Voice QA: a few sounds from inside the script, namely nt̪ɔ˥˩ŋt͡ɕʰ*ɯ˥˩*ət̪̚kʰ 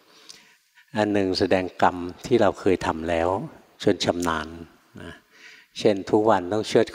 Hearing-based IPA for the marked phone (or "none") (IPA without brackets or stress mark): ɯ˥˩